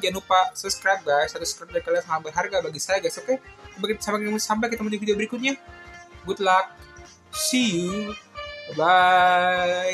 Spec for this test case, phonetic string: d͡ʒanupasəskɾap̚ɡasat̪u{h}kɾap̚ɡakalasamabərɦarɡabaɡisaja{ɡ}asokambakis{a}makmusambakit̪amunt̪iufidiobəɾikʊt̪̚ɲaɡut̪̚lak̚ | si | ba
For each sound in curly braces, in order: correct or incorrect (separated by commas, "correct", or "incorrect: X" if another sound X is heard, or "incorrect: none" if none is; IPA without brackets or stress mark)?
incorrect: s, correct, correct